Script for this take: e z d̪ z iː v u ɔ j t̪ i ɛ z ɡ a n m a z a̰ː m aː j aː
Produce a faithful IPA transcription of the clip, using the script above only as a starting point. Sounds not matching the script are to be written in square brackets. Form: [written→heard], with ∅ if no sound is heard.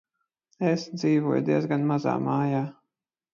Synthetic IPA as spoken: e [z→s] d̪ z iː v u ɔ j [t̪→d̪] i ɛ z ɡ a n m a z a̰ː m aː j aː